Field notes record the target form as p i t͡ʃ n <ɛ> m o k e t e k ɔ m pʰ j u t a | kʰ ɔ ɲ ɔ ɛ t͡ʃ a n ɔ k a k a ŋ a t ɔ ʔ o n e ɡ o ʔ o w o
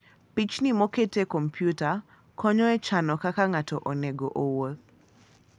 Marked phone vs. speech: incorrect: i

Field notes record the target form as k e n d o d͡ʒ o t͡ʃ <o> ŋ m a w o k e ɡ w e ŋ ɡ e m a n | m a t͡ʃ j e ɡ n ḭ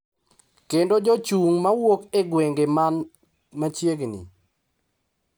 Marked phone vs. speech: incorrect: u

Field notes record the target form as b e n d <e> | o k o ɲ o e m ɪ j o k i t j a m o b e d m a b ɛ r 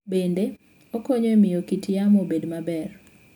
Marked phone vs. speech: correct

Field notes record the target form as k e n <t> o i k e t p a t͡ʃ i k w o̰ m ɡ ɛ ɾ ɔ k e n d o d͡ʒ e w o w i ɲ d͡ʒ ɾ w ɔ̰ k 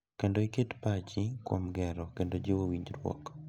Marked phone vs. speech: incorrect: d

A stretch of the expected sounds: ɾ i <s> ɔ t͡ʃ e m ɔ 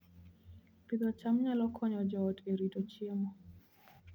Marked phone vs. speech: incorrect: t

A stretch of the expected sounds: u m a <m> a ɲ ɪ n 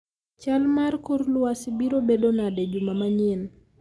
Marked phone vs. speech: correct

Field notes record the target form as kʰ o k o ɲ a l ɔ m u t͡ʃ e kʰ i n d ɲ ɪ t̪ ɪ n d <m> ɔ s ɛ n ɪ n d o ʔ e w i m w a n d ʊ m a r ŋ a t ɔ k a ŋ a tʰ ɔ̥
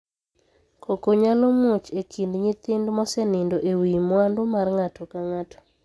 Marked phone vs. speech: correct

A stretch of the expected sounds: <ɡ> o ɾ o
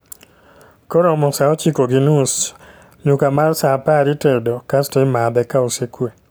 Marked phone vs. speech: incorrect: k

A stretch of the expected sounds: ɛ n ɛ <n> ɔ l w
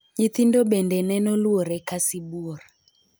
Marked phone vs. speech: correct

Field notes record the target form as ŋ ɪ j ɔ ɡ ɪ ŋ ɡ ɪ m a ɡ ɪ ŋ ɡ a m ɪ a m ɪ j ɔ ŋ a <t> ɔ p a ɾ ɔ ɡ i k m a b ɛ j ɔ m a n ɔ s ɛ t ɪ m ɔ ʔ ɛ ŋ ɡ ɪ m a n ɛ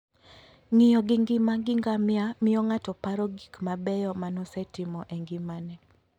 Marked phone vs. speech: correct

